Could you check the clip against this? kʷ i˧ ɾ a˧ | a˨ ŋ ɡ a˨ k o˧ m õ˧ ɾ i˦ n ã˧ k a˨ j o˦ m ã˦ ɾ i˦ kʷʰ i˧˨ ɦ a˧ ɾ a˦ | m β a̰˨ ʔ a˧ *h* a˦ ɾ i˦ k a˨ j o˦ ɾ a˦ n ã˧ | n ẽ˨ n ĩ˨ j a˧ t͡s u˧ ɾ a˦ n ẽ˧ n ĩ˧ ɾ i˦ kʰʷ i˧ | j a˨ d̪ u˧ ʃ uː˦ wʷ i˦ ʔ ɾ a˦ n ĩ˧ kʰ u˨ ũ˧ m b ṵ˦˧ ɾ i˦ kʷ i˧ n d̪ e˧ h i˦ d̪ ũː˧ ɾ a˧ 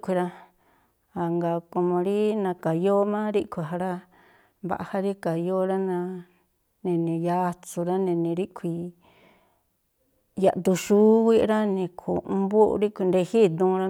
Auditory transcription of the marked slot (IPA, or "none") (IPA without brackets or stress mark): h